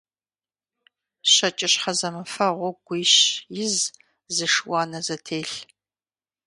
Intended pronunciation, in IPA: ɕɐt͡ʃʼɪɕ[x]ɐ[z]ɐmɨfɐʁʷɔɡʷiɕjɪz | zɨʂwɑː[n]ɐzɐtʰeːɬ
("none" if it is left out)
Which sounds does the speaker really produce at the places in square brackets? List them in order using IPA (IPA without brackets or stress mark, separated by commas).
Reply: ħ, z, n